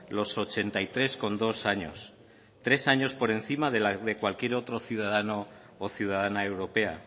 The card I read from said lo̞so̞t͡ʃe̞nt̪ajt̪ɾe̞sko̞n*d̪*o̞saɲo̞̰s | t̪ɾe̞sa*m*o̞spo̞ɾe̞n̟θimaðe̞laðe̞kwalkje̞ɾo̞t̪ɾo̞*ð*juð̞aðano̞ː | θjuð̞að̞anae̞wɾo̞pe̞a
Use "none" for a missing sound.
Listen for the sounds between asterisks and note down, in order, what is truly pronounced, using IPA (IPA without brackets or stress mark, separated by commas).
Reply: d̪, ɲ, θ